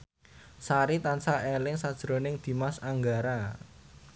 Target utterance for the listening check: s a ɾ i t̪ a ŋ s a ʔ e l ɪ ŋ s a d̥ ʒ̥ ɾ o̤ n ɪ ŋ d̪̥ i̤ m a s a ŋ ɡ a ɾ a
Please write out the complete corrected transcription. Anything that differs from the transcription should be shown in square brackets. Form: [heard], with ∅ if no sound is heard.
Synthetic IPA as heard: s a ɾ i t̪ a [n] s a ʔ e l ɪ ŋ s a d̥ ʒ̥ ɾ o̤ n ɪ ŋ d̪̥ i̤ m a s a ŋ ɡ a ɾ a

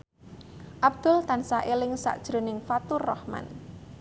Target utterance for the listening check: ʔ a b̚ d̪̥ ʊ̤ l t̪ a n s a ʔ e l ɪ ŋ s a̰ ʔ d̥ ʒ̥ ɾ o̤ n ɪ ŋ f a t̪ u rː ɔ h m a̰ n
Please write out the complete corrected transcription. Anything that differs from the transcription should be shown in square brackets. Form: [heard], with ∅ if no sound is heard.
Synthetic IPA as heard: ʔ a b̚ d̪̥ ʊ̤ l t̪ a n s a ʔ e l ɪ ŋ s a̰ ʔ d̥ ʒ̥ ɾ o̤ n ɪ ŋ f a t̪ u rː ɔ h m a̰ n

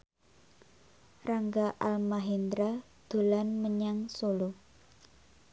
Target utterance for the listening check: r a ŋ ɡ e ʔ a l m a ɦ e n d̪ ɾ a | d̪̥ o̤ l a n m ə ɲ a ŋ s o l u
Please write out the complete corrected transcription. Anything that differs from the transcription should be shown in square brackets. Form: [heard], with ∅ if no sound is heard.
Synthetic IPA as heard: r a ŋ ɡ [a] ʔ a l m a ɦ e n d̪ ɾ a | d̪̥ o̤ l a n m ə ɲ a ŋ s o l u

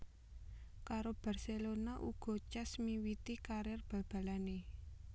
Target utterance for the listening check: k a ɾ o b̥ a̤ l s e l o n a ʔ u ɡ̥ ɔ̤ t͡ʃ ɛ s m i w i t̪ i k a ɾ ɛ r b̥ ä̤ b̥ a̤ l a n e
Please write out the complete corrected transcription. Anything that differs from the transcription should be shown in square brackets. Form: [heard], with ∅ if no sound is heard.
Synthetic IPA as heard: k a ɾ o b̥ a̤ [r] s e l o n a ʔ u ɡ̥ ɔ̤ t͡ʃ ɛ s m i w i t̪ i k a ɾ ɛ r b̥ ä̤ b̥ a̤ l a n e

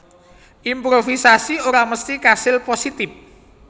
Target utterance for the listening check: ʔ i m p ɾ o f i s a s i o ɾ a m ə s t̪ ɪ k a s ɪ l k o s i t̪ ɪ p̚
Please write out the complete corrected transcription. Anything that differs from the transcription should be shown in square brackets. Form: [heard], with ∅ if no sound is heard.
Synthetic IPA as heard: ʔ i m p ɾ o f i s a s i o ɾ a m ə s t̪ [i] k a s ɪ l [p] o s i t̪ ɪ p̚

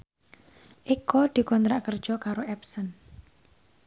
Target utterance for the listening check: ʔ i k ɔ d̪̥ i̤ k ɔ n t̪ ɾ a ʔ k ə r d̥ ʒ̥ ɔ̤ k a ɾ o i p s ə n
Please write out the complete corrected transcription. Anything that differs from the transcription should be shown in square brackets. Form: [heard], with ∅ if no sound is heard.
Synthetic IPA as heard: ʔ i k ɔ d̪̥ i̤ k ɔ n t̪ ɾ a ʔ k ə r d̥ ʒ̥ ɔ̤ k a ɾ o [ɛ] p s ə n

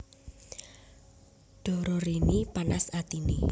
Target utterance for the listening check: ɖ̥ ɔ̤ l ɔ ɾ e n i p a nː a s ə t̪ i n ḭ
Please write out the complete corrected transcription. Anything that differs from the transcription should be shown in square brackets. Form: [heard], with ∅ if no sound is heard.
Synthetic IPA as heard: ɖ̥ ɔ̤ [ɾ] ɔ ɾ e n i p a [n] a s [a] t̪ i n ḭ

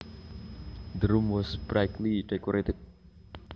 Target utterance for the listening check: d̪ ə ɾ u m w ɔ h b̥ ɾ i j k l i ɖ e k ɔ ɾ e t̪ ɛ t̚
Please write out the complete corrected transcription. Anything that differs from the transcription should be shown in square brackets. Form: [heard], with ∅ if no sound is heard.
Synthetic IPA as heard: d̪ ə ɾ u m w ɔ [s] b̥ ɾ [a] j k l i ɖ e k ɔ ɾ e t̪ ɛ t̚

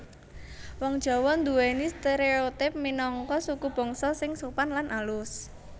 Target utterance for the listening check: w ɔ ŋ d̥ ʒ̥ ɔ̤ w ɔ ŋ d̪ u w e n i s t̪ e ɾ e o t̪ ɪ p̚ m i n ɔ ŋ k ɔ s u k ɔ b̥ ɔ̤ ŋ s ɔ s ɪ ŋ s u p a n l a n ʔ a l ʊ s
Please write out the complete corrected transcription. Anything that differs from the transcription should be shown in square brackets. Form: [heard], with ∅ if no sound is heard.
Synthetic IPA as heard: w ɔ ŋ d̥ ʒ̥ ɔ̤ w ɔ [n] d̪ u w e n i s t̪ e ɾ e o t̪ ɪ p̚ m i n ɔ ŋ k ɔ s u k [u] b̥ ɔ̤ ŋ s ɔ s ɪ ŋ s u p a n l a n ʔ a l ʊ s

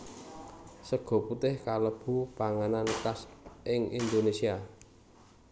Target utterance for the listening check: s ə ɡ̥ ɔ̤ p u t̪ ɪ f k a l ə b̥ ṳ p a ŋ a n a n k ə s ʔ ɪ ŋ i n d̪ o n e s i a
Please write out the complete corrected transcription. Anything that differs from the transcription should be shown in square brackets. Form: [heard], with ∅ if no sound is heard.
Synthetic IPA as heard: s ə ɡ̥ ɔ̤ p u t̪ ɪ [h] k a l ə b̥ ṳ p a ŋ a n a n k [a] s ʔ ɪ ŋ i n d̪ o n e s i a

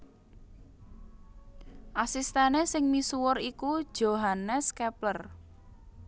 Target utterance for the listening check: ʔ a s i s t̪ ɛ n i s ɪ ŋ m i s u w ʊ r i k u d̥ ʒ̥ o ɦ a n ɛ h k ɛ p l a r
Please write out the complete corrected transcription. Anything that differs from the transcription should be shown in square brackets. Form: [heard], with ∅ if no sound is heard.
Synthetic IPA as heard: ʔ a s i s t̪ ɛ n [e] s ɪ ŋ m i s u w ʊ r i k u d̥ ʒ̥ o ɦ a n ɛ [s] k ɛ p l [ə] r

